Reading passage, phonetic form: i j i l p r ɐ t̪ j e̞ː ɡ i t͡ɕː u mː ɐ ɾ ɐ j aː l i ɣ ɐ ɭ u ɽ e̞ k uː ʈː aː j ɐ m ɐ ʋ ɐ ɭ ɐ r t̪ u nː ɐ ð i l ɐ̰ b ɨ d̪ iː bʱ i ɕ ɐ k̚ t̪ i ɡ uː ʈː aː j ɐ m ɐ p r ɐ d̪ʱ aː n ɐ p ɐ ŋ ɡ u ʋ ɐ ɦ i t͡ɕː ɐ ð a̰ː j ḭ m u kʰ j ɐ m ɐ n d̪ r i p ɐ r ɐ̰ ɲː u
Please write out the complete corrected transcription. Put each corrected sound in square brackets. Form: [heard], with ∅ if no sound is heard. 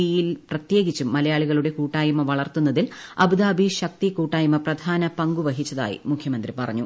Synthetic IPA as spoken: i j i l p r ɐ t̪ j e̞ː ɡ i t͡ɕː u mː ɐ [l] ɐ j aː [ɭ] i ɣ ɐ ɭ u ɽ e̞ k uː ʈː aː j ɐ m ɐ ʋ ɐ ɭ ɐ r t̪ u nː ɐ ð i l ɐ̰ b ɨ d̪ [aː] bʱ i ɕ ɐ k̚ t̪ i [k] uː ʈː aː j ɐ m ɐ p r ɐ d̪ʱ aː n ɐ p ɐ ŋ ɡ u ʋ ɐ ɦ i t͡ɕː ɐ ð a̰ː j ḭ m u kʰ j ɐ m ɐ n d̪ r i p ɐ r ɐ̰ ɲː u